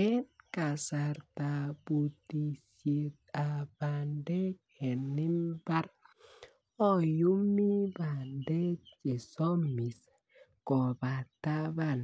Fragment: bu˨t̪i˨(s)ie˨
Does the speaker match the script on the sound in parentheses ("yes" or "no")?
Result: yes